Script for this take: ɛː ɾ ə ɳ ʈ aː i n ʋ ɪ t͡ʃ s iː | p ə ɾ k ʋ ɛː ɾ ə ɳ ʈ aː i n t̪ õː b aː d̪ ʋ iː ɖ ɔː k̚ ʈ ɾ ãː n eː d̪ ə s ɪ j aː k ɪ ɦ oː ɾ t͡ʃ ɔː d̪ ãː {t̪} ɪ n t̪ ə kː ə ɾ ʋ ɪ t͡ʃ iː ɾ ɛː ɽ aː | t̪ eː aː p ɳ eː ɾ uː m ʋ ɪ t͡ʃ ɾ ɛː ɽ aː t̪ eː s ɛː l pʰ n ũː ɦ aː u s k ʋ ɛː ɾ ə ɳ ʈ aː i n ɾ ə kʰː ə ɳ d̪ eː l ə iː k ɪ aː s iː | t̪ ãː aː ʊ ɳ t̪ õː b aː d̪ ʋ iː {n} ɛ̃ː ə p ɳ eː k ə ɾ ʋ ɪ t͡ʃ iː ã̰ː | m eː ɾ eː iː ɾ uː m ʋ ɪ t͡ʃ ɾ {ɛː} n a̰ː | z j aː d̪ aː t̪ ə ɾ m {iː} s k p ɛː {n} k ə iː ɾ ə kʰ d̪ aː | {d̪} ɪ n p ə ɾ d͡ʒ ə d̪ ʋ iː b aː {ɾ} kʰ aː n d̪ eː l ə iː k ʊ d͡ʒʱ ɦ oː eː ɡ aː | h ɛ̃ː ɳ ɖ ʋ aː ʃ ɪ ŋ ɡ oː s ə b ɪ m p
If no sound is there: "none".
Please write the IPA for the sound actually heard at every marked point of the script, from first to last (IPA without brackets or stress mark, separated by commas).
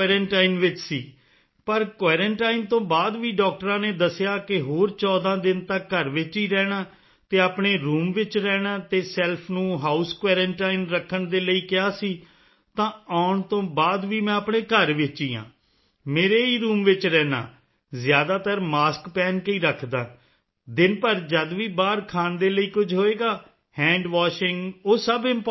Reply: d̪, m, ɛː, aː, n, d̪, ɾ